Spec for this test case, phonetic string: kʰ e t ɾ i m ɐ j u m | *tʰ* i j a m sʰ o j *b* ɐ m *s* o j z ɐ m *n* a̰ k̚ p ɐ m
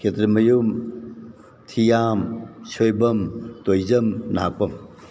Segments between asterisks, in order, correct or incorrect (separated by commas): correct, correct, incorrect, correct